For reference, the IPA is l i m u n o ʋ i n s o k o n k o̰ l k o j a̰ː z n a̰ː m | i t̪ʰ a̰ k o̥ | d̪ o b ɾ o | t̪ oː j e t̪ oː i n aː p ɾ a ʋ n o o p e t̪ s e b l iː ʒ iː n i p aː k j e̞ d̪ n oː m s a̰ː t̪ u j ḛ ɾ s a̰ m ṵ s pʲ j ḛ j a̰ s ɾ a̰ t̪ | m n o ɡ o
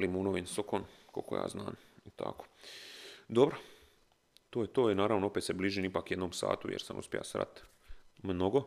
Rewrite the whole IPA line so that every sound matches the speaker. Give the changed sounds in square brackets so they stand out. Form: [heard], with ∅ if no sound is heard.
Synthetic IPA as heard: l i m u n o ʋ i n s o k o n k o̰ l k o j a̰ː z n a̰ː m | i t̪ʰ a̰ k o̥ | d̪ o b ɾ o | t̪ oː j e t̪ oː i n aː [∅] ɾ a ʋ n o o p e t̪ s e b l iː ʒ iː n i p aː k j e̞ d̪ n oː m s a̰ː t̪ u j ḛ ɾ s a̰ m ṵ s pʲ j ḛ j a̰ s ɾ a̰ t̪ | m n o ɡ o